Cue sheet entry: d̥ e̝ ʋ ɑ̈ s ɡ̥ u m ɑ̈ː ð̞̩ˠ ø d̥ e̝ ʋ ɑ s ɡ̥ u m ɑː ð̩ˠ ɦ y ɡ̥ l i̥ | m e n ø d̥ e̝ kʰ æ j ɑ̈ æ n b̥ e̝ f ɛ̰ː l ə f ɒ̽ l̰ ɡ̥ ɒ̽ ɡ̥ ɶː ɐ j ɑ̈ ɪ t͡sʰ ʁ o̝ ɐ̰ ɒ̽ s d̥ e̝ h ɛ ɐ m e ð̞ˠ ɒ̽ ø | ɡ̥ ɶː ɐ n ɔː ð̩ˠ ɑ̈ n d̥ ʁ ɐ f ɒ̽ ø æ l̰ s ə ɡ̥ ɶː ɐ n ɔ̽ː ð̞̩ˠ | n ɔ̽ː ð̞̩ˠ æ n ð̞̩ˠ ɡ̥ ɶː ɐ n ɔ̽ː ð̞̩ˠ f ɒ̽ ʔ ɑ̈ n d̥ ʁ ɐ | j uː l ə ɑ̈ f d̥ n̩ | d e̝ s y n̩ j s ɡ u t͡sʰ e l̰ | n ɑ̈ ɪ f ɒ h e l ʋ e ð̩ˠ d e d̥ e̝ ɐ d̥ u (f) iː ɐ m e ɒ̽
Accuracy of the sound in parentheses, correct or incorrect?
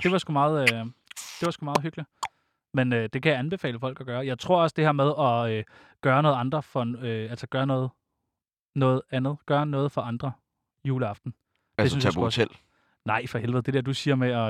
incorrect